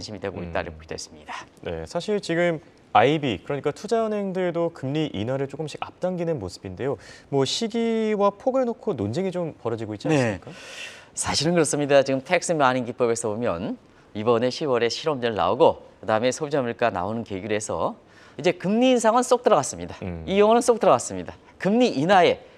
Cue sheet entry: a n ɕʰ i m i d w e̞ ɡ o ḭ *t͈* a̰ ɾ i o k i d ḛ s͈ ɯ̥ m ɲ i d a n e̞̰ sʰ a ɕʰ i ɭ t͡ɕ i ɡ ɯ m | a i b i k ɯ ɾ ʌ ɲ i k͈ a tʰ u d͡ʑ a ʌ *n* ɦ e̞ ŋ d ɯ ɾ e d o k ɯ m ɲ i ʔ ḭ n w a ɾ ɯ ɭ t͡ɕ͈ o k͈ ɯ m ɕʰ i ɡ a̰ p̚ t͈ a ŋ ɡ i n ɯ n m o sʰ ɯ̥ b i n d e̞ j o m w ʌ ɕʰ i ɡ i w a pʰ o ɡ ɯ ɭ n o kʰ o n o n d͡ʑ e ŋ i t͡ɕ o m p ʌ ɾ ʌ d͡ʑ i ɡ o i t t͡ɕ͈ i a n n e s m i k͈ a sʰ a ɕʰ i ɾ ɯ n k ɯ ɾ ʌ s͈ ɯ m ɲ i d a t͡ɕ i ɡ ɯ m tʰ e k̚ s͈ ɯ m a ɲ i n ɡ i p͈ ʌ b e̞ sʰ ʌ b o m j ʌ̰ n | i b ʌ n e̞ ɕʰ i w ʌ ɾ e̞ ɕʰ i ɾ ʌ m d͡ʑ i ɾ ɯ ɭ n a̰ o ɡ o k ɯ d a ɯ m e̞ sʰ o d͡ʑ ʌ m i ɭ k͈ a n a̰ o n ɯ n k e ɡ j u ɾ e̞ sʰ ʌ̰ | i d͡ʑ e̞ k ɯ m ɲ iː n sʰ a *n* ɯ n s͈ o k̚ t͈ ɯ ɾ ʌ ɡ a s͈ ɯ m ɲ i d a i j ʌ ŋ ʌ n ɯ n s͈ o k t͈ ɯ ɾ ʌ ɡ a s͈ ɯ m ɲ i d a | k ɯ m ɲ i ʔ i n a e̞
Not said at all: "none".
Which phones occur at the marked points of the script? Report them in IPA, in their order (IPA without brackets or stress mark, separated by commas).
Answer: t͈, n, ŋ